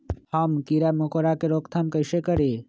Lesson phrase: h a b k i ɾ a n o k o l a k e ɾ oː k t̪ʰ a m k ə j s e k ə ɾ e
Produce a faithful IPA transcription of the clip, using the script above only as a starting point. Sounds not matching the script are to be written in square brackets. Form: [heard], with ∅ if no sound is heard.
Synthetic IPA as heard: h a [m] k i ɾ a [m] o k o [ɾ] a k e ɾ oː k t̪ʰ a m k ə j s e k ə ɾ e